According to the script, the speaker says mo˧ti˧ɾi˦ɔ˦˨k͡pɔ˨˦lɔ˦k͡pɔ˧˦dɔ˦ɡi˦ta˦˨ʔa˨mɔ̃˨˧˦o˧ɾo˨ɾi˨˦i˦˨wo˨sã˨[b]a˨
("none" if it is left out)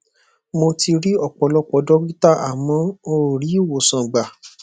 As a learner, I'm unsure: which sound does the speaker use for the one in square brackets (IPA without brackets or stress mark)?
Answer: ɡ͡b